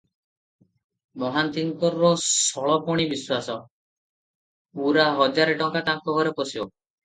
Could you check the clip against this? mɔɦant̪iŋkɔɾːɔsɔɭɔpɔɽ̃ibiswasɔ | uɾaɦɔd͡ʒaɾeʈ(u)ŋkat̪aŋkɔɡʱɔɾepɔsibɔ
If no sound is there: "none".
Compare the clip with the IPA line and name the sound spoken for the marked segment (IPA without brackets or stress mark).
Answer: ɔ